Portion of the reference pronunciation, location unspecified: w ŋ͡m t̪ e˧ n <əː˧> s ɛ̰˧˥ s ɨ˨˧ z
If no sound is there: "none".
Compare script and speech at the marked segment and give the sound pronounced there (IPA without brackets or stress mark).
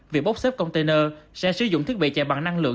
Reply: əː˧